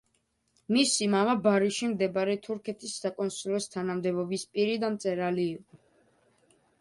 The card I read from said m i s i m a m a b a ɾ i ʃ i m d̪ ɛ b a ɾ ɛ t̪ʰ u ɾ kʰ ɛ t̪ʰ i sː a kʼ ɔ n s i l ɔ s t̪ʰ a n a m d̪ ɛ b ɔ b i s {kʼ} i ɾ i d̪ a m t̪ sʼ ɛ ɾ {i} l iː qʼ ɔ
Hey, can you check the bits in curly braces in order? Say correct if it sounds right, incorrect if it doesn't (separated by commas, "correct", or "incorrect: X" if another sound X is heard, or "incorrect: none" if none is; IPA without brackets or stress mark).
incorrect: pʼ, incorrect: a